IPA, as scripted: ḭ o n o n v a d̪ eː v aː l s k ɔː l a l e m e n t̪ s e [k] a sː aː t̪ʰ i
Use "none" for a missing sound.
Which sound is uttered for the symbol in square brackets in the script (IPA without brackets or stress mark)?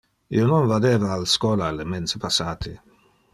p